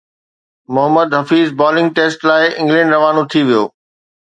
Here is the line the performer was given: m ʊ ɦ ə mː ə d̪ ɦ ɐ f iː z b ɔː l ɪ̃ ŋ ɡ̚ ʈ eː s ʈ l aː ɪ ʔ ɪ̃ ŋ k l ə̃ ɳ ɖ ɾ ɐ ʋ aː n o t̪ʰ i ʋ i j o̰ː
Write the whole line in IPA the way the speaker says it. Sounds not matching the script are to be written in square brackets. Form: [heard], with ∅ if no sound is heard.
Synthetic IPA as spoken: m ʊ ɦ ə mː ə d̪ ɦ ɐ f iː z b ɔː l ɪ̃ ŋ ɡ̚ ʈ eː s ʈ l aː ɪ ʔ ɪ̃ ŋ [ɡ] l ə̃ ɳ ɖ ɾ ɐ ʋ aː n o t̪ʰ i ʋ i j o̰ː